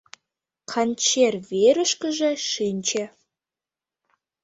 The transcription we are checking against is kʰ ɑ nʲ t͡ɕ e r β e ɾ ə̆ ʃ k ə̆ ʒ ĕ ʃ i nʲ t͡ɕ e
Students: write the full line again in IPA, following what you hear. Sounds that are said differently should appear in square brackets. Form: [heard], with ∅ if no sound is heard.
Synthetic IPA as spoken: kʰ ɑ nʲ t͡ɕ e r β e ɾ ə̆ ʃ k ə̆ ʒ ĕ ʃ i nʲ t͡ɕ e